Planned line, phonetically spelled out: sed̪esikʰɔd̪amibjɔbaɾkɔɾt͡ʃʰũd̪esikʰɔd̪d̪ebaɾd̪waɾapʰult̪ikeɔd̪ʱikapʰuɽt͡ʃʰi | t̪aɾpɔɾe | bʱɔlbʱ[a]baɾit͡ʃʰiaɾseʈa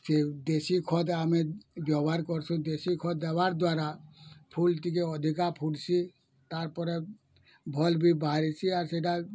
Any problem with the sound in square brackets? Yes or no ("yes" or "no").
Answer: yes